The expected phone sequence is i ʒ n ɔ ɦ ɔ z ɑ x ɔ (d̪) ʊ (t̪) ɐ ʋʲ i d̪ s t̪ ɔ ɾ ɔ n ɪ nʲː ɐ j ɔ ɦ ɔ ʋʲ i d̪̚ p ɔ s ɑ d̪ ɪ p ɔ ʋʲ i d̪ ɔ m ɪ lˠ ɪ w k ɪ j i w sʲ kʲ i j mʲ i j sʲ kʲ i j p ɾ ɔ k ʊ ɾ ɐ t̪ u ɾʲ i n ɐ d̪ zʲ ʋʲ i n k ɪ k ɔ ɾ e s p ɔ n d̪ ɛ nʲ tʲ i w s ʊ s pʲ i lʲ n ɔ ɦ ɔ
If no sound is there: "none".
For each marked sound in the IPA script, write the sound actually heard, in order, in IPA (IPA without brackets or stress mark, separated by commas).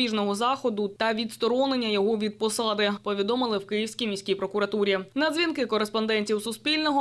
d̪, t̪